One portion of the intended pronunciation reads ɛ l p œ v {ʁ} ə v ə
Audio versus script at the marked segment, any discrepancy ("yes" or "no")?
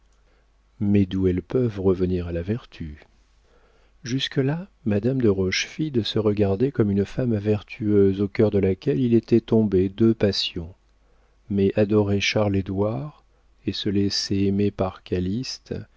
no